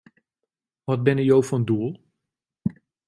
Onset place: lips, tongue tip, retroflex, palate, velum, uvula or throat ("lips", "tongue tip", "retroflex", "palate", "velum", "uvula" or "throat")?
lips